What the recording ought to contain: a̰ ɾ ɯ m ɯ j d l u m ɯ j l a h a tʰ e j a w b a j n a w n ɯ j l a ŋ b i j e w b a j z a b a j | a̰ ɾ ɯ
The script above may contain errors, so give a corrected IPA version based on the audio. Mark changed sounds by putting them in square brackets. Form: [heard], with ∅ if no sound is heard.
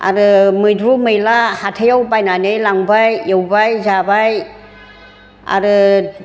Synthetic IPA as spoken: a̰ ɾ ɯ m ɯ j d [ɾ] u m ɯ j l a h a tʰ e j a w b a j n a [∅] n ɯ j l a ŋ b [a] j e w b a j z a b a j | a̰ ɾ ɯ